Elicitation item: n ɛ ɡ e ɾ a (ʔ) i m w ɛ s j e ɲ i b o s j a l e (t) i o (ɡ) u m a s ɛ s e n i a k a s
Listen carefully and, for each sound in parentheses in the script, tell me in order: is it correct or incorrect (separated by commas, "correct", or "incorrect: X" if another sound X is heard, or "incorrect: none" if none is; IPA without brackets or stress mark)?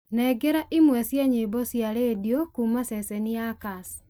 correct, incorrect: d, incorrect: k